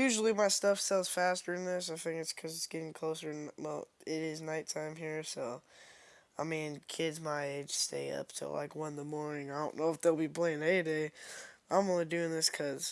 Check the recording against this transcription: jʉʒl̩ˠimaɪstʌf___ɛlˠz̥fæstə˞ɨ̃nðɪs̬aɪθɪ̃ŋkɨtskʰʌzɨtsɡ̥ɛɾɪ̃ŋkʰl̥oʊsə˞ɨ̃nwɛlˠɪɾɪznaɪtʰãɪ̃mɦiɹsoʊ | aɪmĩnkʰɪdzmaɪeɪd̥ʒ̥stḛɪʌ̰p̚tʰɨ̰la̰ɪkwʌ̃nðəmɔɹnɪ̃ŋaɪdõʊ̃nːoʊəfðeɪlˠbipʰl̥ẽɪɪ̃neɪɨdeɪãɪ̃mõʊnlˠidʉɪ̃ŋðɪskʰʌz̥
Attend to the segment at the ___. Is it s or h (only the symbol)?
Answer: s